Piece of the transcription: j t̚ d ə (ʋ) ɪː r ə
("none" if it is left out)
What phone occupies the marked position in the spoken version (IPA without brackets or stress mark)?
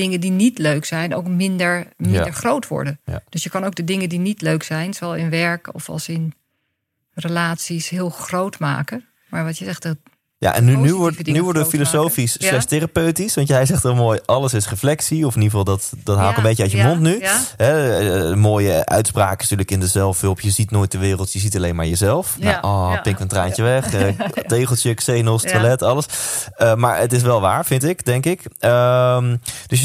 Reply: ʋ